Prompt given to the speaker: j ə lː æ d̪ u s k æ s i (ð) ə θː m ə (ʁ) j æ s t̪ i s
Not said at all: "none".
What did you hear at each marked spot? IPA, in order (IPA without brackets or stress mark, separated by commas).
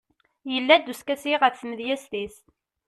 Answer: ʁ, ð